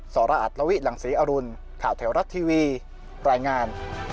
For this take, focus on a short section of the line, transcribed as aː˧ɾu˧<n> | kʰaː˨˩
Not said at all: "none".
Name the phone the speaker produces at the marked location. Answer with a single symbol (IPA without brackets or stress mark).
n